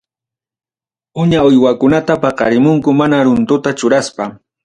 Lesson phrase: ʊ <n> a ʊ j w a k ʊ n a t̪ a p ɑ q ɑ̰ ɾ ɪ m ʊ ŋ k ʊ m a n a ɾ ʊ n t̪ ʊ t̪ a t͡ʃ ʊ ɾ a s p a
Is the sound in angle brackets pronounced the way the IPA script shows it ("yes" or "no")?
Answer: no